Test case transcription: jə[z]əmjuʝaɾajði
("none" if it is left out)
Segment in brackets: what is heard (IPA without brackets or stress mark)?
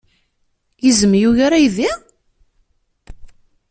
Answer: z